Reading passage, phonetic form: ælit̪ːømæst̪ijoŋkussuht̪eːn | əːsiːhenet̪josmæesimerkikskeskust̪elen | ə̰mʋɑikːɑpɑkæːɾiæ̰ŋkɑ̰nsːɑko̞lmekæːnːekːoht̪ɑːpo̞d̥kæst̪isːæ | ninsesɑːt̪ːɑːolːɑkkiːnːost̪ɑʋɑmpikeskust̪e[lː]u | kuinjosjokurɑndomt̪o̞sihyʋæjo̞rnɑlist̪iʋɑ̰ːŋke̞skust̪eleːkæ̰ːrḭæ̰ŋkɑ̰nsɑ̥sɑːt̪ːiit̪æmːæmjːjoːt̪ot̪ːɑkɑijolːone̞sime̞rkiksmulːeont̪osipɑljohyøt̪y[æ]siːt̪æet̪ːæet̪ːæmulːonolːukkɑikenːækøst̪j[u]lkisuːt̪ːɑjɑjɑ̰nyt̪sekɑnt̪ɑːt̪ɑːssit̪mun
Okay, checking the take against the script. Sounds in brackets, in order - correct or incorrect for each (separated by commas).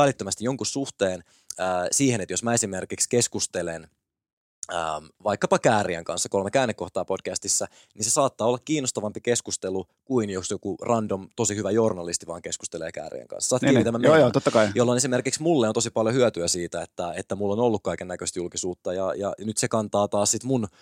incorrect, correct, correct